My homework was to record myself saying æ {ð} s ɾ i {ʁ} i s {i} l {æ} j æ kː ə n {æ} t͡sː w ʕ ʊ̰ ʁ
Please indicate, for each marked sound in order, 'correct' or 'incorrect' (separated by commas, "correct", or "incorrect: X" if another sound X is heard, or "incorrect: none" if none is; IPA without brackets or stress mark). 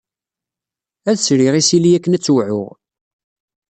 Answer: correct, correct, correct, incorrect: i, correct